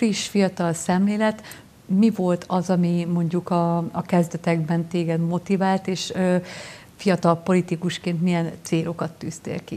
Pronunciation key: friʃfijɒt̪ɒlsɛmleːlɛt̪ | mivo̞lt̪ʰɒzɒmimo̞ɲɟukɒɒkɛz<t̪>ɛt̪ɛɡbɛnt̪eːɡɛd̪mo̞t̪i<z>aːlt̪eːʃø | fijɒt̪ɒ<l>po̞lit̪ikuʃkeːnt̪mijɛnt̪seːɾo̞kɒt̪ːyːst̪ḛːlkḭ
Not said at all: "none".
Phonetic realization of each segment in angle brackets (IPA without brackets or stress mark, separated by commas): d̪, v, l